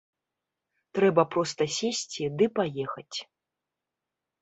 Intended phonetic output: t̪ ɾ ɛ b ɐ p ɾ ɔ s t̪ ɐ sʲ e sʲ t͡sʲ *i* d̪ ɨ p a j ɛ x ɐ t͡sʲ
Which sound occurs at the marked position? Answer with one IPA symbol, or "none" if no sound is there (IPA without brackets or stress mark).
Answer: i